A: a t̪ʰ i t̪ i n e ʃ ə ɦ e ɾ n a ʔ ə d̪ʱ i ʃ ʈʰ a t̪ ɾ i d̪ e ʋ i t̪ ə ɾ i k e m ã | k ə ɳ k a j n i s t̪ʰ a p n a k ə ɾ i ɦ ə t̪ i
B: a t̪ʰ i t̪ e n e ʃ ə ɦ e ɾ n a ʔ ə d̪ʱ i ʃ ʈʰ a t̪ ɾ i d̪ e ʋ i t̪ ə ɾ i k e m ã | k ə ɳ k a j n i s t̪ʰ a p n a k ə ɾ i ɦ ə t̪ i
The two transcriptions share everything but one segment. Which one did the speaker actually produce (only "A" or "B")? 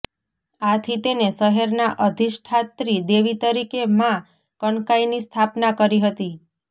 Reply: B